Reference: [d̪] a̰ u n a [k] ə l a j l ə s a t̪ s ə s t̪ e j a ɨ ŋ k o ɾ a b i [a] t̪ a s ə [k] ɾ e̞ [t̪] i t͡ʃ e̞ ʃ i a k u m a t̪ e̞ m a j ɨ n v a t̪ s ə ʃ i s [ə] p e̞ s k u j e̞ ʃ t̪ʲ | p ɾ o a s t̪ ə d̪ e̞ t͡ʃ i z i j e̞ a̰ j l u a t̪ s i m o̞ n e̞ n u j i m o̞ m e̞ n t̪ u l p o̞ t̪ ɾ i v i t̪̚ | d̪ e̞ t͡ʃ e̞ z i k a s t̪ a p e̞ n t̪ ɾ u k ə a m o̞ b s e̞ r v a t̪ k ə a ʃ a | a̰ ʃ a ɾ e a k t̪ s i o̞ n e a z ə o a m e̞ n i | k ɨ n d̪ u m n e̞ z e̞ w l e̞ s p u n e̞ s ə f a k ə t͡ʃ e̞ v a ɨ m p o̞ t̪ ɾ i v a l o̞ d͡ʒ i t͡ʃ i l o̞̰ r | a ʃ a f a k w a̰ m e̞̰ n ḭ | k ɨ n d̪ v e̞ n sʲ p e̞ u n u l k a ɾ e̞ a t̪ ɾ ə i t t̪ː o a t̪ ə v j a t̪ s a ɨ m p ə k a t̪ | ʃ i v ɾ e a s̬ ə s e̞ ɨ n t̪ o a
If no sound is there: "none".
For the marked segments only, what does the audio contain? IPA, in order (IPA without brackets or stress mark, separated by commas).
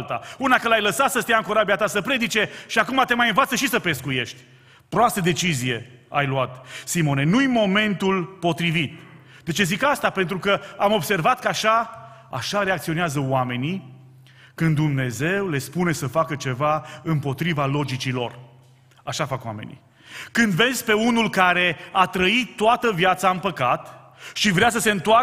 t̪, k, a, p, d̪, ə